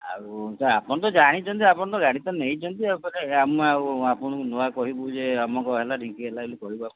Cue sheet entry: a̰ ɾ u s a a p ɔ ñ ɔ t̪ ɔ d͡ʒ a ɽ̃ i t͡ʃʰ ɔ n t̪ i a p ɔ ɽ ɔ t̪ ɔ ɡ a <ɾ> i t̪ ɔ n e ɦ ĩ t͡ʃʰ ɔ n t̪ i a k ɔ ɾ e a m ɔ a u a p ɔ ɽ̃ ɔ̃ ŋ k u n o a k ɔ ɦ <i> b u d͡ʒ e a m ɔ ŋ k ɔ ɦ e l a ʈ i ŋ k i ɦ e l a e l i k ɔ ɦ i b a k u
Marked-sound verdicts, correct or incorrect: incorrect: ɽ, correct

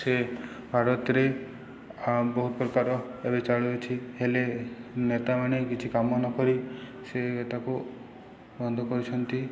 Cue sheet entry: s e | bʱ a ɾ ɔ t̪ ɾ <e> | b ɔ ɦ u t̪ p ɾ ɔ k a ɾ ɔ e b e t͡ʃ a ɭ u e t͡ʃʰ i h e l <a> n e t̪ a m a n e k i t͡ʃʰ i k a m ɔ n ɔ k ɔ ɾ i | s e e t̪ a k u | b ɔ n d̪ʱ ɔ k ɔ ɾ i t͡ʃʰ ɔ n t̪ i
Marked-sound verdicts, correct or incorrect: correct, incorrect: e

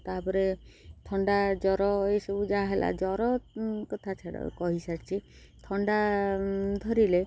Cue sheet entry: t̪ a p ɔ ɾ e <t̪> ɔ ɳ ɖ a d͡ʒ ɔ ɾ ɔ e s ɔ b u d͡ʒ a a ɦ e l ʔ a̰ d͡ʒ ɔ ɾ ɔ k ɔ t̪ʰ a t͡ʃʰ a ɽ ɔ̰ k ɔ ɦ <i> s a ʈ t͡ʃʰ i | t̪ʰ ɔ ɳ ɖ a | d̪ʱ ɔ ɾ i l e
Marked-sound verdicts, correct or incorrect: incorrect: t̪ʰ, correct

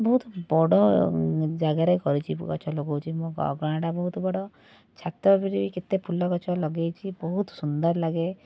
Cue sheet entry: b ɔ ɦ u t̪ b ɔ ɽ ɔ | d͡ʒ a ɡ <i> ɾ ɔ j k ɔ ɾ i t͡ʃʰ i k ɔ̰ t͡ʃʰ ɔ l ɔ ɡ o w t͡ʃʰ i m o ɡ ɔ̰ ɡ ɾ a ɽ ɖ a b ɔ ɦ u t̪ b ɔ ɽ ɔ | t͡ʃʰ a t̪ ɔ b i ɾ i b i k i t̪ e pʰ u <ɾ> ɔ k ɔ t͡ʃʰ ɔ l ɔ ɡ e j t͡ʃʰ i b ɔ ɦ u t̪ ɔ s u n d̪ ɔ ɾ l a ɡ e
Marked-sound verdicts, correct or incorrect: incorrect: a, incorrect: l

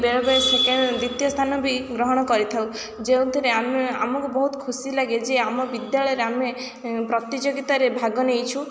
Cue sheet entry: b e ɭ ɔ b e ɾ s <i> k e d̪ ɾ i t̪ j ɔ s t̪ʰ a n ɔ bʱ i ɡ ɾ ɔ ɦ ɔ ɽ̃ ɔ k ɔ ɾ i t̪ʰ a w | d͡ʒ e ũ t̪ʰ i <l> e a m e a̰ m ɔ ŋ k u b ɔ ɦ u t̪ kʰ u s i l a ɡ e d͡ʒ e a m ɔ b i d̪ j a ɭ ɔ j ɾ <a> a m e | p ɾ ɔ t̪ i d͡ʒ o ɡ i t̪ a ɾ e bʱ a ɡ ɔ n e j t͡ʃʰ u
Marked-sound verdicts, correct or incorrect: incorrect: e, incorrect: ɾ, incorrect: e

